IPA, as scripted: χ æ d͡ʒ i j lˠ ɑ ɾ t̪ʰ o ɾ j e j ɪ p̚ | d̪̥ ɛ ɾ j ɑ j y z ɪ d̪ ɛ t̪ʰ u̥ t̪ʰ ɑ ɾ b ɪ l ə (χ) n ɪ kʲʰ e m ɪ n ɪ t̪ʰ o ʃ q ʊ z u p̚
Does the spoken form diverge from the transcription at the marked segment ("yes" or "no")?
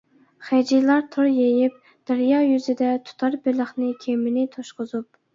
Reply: no